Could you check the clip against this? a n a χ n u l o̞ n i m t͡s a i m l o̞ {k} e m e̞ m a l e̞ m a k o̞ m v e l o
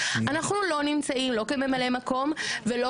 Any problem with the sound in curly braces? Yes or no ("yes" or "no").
no